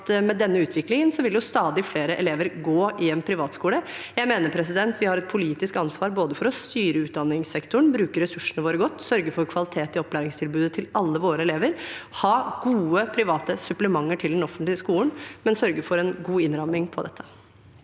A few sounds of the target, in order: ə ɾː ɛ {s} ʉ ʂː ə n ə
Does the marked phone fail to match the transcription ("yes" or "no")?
no